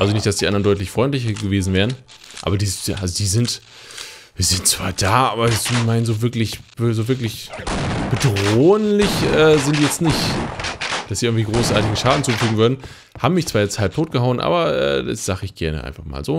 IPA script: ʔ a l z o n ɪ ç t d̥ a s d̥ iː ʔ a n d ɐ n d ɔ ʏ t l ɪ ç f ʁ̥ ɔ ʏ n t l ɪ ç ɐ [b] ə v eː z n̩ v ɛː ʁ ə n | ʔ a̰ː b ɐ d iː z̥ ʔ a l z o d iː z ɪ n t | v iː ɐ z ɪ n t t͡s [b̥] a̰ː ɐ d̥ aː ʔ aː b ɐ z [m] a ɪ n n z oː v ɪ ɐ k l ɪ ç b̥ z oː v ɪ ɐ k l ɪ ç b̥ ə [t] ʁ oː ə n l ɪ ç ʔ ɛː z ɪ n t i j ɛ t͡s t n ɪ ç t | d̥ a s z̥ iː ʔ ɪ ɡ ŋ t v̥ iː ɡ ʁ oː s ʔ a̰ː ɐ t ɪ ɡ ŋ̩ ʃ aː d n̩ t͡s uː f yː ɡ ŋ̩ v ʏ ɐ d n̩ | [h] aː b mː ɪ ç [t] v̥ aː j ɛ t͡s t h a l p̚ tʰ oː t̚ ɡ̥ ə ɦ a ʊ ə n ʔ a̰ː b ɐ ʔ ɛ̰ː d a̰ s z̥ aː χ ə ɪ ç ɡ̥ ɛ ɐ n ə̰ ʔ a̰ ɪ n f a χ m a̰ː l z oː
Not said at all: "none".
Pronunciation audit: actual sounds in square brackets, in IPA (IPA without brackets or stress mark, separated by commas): ɡ, v̥, m, d, h, t͡s